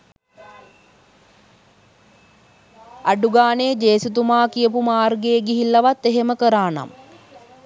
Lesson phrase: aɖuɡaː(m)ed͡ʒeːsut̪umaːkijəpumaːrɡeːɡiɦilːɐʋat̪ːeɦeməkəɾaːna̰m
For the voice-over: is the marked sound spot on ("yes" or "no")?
no